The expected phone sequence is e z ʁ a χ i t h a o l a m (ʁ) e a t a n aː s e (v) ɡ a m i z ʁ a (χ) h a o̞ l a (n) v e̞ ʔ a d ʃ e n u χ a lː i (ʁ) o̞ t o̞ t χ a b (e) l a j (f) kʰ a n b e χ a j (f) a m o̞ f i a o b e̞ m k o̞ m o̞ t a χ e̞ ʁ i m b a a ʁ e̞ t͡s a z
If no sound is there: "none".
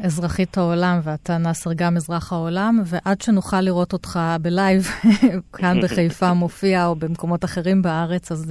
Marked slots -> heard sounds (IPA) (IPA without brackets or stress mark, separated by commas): v, ʁ, χ, m, ʁ, e, v, f